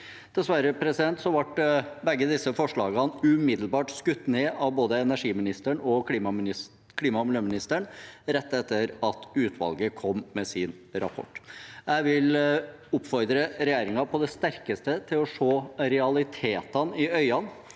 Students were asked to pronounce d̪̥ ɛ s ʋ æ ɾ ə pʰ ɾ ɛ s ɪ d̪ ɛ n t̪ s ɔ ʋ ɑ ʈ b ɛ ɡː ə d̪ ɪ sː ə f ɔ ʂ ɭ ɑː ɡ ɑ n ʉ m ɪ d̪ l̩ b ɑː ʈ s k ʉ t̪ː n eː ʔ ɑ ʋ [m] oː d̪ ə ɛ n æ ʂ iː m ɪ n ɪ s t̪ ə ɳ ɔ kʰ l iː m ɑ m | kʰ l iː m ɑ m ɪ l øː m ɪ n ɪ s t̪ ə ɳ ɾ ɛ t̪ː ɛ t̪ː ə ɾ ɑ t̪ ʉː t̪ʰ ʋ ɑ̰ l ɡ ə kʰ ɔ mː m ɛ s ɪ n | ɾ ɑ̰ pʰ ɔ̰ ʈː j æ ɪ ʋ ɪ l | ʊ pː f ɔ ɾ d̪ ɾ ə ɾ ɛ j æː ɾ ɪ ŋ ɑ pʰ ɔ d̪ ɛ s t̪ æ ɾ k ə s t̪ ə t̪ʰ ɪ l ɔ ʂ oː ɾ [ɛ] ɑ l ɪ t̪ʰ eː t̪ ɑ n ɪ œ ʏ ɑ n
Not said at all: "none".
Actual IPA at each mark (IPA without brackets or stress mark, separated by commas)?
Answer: b, ɛ